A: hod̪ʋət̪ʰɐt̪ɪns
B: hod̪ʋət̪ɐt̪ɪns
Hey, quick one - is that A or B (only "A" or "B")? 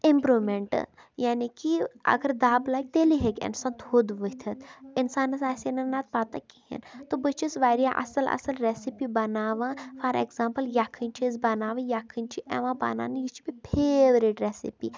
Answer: A